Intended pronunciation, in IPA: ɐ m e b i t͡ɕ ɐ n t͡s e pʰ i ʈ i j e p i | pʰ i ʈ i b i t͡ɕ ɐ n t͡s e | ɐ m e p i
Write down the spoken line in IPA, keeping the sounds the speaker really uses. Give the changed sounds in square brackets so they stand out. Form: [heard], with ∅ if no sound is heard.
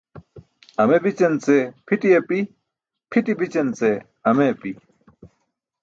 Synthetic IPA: ɐ m e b i t͡ɕ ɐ n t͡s e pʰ i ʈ i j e p i | pʰ i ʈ i b i t͡ɕ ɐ n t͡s e | ɐ m e p i